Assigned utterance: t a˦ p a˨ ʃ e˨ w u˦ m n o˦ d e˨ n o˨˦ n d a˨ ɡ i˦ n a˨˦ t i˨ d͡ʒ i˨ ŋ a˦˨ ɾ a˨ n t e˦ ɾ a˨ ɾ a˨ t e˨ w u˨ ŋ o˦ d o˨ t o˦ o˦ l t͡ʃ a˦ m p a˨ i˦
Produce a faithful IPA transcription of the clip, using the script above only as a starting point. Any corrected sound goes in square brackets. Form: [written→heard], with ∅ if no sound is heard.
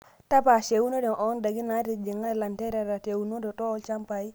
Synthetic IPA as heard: t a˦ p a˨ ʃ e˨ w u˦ [m→∅] n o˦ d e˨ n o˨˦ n d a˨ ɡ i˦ n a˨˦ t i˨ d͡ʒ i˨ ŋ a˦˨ [ɾ→l] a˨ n t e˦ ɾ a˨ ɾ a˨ t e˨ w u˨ [ŋ→n] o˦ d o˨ t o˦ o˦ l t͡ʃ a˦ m p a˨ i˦